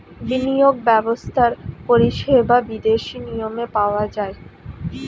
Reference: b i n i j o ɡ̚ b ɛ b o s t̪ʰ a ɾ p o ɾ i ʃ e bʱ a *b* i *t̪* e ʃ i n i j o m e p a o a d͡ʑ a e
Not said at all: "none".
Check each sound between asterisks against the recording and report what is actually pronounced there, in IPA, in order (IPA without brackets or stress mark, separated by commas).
b, d̪